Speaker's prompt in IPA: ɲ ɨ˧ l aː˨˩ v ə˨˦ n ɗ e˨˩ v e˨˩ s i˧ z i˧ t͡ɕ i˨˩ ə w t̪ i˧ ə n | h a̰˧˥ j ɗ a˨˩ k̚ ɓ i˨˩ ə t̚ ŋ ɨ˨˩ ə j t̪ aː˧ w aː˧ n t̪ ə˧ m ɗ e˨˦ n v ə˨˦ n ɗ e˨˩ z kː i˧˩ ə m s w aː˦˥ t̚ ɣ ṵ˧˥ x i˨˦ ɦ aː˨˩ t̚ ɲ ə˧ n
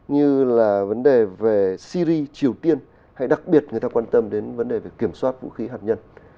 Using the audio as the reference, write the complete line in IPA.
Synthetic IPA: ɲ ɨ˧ l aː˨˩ v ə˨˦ n ɗ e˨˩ v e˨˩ s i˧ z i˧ t͡ɕ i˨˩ ə w t̪ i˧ ə n | h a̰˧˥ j ɗ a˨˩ k̚ ɓ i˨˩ ə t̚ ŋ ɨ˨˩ ə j t̪ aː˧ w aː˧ n t̪ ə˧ m ɗ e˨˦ n v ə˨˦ n ɗ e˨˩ v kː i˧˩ ə m s w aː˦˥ t̚ v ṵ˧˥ x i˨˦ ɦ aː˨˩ t̚ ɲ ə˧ n